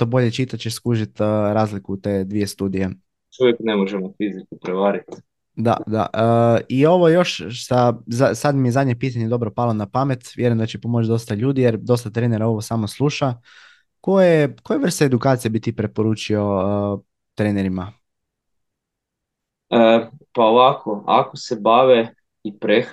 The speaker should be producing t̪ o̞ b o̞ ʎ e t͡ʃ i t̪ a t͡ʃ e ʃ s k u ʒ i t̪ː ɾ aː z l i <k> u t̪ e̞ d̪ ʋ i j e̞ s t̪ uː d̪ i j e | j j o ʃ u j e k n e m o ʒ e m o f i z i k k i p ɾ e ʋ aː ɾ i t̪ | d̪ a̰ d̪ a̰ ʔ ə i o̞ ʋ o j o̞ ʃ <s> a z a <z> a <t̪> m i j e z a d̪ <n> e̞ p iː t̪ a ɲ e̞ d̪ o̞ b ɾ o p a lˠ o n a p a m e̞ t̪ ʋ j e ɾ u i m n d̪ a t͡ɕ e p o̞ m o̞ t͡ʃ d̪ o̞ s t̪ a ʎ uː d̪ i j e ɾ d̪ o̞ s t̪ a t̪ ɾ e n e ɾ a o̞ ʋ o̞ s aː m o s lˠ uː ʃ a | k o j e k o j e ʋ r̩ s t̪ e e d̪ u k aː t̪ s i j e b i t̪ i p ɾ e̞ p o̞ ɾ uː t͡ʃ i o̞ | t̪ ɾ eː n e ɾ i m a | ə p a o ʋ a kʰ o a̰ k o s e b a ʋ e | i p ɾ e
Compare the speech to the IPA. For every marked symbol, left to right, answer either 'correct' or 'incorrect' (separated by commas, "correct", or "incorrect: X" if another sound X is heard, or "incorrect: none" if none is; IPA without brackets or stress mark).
correct, correct, incorrect: s, incorrect: d̪, incorrect: ɲ